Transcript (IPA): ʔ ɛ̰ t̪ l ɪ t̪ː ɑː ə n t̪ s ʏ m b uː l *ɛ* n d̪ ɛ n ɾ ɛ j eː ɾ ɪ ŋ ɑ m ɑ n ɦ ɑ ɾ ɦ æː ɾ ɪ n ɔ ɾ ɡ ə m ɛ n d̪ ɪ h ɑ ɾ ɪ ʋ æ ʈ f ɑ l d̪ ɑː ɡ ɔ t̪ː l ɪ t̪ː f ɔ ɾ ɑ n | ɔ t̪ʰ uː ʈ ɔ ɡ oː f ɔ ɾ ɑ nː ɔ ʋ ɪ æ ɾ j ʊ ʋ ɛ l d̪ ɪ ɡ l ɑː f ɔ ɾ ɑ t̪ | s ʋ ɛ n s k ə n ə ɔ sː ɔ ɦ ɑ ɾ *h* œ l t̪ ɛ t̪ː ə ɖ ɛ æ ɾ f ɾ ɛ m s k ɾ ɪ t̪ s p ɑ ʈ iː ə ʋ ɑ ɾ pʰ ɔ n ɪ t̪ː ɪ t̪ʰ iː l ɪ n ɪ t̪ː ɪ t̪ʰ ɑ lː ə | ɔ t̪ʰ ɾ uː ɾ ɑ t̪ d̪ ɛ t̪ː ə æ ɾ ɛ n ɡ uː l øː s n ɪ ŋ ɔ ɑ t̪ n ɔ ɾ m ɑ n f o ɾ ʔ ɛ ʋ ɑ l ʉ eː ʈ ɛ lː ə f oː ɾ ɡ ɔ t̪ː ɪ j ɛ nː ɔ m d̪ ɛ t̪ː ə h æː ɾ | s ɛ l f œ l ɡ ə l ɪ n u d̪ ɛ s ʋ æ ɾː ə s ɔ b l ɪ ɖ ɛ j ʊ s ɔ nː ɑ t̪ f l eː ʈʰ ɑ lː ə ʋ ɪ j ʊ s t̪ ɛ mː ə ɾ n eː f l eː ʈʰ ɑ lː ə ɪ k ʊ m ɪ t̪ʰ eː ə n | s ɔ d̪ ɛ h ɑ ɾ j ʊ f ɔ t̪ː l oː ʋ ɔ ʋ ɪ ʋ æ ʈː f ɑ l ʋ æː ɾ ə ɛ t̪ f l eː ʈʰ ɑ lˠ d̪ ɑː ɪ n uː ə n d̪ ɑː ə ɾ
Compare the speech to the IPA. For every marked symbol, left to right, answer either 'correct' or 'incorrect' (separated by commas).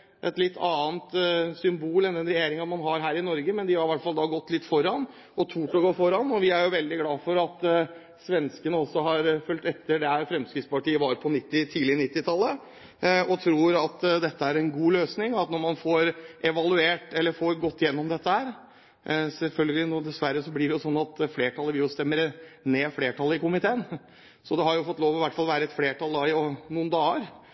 correct, incorrect